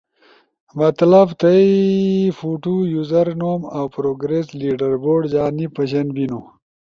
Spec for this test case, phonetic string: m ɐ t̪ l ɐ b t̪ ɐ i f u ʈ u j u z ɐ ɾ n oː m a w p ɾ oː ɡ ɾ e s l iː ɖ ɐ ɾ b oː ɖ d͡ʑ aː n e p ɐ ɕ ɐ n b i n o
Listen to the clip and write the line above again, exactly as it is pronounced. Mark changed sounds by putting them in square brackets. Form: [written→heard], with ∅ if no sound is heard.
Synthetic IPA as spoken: m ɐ t̪ l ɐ b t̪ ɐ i f u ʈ u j u z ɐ ɾ n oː m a w p ɾ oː ɡ ɾ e s l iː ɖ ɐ ɾ b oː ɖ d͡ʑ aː n [e→i] p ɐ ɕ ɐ n b i n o